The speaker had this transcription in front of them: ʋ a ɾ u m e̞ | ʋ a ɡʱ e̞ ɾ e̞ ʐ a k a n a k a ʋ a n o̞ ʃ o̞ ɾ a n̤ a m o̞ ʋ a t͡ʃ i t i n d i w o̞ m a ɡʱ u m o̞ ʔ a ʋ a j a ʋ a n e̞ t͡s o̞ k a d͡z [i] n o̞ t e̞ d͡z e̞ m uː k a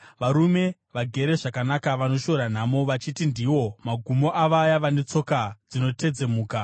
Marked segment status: correct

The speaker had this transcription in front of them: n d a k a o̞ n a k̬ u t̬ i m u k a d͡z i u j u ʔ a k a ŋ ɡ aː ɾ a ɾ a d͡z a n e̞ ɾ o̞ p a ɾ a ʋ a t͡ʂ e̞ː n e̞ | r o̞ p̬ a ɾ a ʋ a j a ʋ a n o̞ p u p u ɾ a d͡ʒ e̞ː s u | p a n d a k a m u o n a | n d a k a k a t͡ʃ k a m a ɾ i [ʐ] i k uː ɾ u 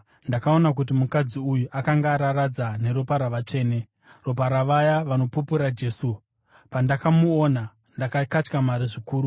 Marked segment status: correct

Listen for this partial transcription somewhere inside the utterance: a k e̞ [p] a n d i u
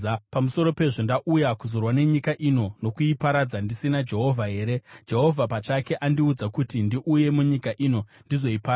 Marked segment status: incorrect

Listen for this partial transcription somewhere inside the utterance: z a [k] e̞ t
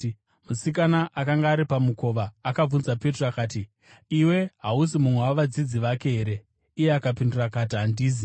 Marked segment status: incorrect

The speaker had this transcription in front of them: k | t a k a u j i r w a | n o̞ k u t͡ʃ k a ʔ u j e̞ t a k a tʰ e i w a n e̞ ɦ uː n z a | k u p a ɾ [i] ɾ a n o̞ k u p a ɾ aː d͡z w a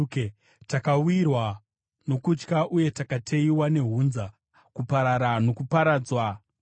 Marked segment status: incorrect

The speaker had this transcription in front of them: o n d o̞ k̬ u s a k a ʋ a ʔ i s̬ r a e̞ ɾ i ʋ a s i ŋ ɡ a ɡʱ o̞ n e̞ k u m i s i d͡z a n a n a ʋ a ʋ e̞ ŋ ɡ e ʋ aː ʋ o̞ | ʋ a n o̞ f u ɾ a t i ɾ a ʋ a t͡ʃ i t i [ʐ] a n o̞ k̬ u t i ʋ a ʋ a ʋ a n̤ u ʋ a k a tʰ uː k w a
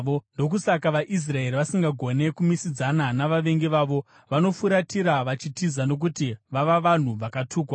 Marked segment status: incorrect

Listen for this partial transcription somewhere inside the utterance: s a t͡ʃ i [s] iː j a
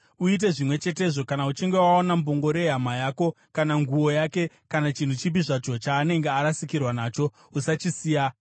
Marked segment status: correct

